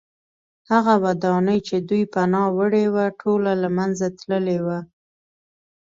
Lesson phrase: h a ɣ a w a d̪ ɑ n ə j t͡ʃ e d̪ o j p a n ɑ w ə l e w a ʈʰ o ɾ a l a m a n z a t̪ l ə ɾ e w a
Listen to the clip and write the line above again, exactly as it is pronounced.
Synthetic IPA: h a ɣ a w a d̪ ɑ n ə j t͡ʃ e d̪ u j p a n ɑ w ə ɽ e w a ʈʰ o l a l a m a n z a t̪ l ə l e w a